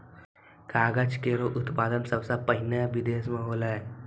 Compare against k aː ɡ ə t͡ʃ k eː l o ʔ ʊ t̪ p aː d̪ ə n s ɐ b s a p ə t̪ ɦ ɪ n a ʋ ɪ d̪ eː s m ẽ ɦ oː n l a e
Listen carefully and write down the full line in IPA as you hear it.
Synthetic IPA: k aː ɡ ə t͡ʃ k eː ɾ o ʔ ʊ t̪ p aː d̪ ə n s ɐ b s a p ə ɦ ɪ n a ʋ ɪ d̪ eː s m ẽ ɦ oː l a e